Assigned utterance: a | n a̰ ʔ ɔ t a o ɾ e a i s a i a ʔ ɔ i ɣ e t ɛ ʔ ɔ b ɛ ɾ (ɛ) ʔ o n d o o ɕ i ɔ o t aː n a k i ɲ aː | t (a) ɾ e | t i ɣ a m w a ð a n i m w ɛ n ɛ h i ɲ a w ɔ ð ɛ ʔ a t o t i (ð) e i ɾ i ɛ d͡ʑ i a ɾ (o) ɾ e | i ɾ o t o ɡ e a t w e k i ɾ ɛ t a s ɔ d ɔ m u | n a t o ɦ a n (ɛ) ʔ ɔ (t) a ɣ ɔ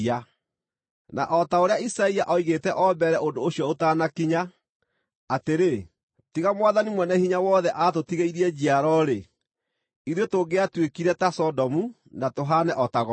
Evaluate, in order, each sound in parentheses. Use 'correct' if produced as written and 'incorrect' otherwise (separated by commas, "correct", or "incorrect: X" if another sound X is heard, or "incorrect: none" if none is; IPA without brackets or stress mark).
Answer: correct, incorrect: e, incorrect: ɣ, incorrect: ɔ, correct, correct